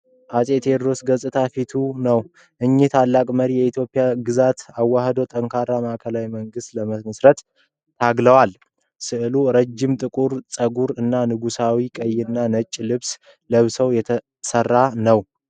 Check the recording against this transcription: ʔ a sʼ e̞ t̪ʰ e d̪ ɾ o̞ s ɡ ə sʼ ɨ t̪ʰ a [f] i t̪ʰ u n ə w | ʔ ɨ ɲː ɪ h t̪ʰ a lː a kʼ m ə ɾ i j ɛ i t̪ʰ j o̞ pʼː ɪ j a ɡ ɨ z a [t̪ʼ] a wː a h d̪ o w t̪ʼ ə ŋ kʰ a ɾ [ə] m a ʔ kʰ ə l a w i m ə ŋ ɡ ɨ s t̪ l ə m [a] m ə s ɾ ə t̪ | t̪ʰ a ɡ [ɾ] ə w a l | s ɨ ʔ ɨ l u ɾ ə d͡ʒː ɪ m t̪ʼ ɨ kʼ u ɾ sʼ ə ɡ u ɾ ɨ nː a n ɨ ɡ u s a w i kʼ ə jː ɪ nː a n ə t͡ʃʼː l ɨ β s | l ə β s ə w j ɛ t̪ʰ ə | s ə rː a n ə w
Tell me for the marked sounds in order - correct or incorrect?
correct, incorrect: t̪, incorrect: a, incorrect: ə, incorrect: l

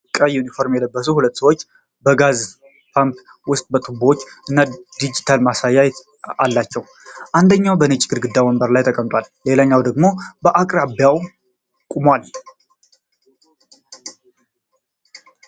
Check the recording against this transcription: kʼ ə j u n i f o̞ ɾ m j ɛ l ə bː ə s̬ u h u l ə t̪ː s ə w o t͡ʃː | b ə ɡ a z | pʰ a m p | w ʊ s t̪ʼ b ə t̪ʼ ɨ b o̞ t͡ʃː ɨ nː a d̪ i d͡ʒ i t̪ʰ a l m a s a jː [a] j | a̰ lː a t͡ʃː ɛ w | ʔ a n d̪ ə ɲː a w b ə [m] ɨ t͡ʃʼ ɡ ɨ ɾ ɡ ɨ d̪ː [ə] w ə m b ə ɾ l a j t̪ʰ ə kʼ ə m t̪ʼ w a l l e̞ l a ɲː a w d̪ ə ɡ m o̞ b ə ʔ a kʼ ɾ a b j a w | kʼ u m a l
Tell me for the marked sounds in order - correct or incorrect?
correct, incorrect: n, incorrect: a

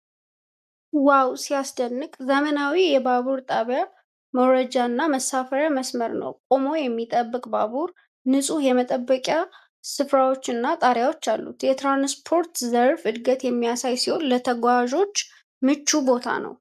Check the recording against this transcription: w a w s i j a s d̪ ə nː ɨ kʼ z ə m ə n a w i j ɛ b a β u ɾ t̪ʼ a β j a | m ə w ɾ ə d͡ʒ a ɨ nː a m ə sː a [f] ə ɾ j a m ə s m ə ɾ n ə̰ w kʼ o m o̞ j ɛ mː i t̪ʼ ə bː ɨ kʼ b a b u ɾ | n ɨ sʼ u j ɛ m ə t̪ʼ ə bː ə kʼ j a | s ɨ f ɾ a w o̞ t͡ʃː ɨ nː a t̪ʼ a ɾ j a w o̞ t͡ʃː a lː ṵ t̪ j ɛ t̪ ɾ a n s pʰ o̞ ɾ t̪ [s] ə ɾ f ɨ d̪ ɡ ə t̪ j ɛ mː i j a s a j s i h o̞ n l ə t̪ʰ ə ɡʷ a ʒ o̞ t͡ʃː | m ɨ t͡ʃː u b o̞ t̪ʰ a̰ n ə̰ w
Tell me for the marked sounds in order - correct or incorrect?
correct, incorrect: z

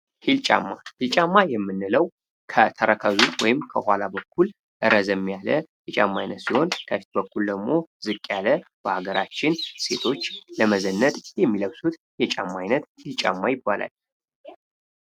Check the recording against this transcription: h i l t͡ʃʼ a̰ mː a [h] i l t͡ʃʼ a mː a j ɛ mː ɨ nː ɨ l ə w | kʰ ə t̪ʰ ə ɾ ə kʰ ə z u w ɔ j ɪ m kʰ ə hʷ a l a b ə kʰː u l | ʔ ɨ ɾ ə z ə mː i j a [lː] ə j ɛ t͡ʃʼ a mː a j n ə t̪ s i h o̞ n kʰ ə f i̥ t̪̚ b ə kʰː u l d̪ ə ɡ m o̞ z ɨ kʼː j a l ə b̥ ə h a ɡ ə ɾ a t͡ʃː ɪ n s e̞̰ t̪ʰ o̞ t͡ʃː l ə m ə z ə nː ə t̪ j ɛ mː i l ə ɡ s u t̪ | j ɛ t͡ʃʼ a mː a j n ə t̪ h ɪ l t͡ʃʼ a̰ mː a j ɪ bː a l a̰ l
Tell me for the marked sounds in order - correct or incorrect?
correct, incorrect: l

